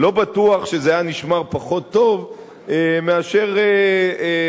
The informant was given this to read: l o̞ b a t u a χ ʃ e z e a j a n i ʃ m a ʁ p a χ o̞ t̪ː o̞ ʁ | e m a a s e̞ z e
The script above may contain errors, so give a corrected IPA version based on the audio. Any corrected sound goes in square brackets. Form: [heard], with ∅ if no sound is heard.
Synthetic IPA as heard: l o̞ b a t u a χ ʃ e z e a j a n i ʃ m a ʁ p a χ o̞ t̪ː o̞ [v] | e m [e] a [ʃ] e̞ [ʁ] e